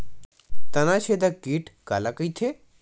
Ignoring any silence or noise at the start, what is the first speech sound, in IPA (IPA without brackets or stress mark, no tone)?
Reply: t̪